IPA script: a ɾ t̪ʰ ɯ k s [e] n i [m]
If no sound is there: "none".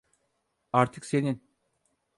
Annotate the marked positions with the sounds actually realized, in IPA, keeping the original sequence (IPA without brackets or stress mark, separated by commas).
e, n